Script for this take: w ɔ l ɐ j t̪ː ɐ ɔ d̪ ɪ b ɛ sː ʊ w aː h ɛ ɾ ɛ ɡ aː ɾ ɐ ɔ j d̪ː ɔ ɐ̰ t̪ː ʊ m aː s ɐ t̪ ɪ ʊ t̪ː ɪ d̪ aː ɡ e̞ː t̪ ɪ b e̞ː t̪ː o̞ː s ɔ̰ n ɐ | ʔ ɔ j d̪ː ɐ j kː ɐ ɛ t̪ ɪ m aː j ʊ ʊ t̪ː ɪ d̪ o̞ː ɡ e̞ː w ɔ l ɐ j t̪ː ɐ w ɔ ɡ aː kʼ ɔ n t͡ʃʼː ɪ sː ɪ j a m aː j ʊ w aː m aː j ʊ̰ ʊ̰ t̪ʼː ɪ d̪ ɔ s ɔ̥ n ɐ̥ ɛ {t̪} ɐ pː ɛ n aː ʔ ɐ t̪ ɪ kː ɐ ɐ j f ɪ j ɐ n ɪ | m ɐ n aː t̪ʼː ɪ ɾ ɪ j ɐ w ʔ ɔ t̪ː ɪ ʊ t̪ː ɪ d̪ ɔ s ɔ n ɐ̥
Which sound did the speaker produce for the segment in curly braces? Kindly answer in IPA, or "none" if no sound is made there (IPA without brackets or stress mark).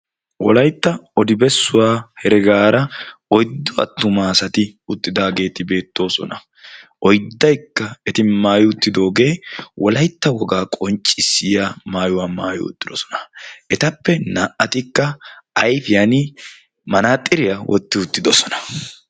t̪